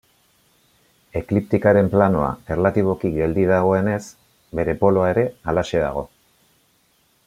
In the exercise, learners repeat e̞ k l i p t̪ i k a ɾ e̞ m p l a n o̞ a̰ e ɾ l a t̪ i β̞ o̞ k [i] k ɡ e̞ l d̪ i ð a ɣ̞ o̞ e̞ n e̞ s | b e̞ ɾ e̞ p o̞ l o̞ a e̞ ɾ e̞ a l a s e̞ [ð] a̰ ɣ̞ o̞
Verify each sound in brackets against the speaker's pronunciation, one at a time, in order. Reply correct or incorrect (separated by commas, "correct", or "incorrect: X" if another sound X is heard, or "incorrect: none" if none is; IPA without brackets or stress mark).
correct, correct